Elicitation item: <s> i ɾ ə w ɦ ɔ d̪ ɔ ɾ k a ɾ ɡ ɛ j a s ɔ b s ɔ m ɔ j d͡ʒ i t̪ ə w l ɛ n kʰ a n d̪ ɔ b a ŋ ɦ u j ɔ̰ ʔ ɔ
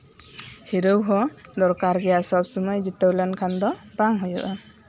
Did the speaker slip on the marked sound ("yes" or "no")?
yes